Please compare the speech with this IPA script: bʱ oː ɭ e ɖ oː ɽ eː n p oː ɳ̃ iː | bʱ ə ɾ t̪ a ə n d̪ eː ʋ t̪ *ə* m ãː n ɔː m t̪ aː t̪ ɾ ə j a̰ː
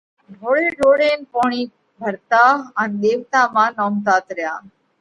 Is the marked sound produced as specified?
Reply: no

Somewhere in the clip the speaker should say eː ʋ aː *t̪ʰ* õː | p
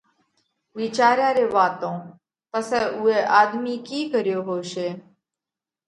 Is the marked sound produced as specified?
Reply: no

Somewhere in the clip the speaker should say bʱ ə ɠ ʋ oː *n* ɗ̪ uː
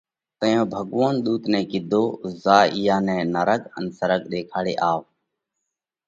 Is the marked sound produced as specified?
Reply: yes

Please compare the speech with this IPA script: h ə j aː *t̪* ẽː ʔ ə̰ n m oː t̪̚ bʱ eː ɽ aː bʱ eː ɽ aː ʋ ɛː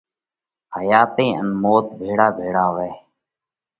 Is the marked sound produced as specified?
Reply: yes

